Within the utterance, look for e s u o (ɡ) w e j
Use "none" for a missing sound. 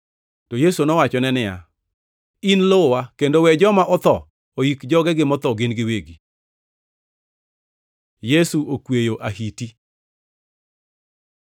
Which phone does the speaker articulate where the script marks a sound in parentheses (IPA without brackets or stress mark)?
k